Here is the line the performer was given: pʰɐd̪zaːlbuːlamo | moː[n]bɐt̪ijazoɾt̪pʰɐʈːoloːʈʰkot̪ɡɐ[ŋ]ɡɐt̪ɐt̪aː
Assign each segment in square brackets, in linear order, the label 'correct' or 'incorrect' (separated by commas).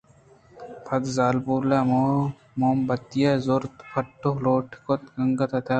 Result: incorrect, correct